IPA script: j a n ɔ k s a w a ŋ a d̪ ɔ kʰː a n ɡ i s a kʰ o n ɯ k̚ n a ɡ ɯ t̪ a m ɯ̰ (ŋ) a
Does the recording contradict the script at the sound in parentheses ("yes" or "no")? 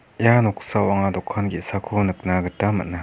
yes